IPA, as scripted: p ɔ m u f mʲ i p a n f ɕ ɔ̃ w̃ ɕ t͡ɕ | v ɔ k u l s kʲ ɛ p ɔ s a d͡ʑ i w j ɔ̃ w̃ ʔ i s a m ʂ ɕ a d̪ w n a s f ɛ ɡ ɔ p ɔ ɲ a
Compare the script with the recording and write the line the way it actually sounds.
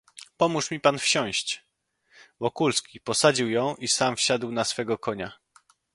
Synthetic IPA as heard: p ɔ m u ʂ mʲ i p a n f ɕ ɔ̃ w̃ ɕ t͡ɕ | v ɔ k u l s kʲ i p ɔ s a d͡ʑ i w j ɔ̃ w̃ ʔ i s a m f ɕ a d̪ w n a s f ɛ ɡ ɔ k ɔ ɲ a